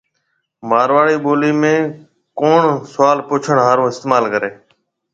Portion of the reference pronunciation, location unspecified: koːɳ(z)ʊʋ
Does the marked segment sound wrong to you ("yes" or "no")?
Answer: yes